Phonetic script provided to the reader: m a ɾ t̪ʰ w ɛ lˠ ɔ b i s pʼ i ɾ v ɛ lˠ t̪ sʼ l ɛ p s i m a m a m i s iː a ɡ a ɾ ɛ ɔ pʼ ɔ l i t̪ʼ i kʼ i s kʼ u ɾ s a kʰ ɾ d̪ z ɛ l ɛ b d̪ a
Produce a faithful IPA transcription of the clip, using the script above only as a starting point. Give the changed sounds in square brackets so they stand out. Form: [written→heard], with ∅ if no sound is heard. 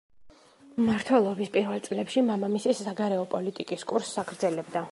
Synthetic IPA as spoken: m a ɾ t̪ʰ w ɛ lˠ ɔ b i s pʼ i ɾ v ɛ lˠ t̪ sʼ l ɛ p [s→ʃ] i m a m a m i s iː a ɡ a ɾ ɛ ɔ pʼ ɔ l i t̪ʼ i kʼ i s kʼ u ɾ s a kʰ ɾ d̪ z ɛ l ɛ b d̪ a